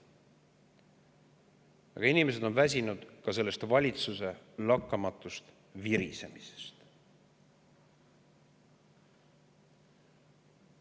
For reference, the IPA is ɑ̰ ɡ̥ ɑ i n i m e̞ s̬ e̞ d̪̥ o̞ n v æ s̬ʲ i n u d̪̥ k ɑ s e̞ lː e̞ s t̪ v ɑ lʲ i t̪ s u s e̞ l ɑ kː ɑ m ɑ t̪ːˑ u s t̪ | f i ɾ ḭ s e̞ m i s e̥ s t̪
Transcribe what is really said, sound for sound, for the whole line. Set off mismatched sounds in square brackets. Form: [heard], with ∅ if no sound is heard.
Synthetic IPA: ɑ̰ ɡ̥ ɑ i n i m e̞ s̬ e̞ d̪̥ o̞ n v æ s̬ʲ i n u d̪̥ k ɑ s e̞ lː e̞ s t̪ v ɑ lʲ i t̪ s u s e̞ l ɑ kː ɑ m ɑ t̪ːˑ u s t̪ | [v] i ɾ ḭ s e̞ m i s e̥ s t̪